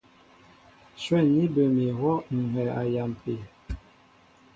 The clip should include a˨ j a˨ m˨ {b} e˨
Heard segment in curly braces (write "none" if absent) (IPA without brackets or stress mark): p